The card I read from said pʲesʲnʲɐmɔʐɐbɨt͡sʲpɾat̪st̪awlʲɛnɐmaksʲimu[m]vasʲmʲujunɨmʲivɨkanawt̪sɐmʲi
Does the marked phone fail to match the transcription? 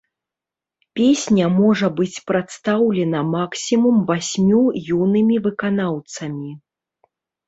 no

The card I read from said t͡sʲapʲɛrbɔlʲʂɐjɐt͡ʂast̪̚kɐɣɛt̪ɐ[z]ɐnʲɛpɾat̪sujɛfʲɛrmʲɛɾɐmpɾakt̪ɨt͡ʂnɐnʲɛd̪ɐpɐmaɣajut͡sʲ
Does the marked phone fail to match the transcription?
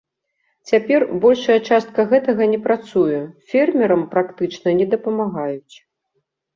yes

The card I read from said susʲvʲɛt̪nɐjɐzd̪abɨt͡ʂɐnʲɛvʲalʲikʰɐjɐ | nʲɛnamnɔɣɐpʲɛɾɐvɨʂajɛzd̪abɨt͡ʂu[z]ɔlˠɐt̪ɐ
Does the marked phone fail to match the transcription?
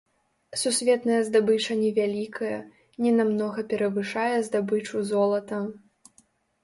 no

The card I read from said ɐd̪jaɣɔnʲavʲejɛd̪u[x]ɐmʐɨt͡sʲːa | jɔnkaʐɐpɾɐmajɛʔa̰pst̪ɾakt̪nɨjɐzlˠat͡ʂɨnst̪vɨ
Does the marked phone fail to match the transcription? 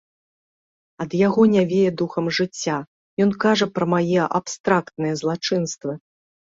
no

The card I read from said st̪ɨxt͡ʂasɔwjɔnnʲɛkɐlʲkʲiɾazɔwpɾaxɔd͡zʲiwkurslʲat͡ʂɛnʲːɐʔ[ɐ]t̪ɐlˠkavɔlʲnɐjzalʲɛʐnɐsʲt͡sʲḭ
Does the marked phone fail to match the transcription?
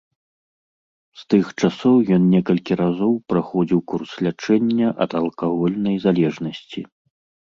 no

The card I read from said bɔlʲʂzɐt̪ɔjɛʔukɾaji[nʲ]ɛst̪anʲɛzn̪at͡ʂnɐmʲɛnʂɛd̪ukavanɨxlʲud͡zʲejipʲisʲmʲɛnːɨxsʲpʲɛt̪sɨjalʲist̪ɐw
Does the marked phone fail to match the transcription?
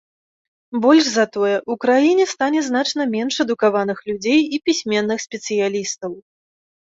no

